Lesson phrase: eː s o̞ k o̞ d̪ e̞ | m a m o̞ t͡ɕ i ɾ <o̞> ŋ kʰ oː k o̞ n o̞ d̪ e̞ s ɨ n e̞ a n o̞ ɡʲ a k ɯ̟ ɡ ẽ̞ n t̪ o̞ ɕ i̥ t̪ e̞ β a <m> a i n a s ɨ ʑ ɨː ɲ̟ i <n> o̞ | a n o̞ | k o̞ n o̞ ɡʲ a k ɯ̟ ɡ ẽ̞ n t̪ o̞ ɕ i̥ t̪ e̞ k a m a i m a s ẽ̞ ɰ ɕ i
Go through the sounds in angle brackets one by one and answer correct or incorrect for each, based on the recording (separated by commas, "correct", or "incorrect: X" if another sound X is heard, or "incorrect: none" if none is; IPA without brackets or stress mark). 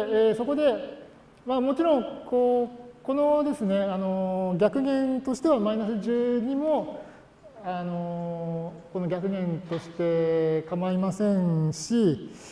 incorrect: õ̞, correct, incorrect: m